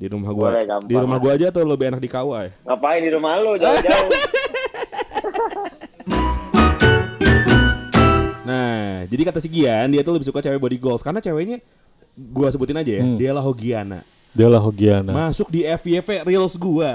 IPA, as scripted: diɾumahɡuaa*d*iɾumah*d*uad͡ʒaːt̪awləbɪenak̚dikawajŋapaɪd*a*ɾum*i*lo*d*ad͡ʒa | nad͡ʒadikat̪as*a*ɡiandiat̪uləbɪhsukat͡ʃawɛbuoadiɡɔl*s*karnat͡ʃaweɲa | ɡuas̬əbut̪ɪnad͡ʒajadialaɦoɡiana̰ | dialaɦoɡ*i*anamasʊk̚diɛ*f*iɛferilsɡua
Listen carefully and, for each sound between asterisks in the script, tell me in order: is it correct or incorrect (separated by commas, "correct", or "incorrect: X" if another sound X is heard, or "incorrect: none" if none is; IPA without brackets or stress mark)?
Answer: correct, incorrect: ɡ, incorrect: i, incorrect: a, incorrect: d͡ʒ, incorrect: i, correct, correct, correct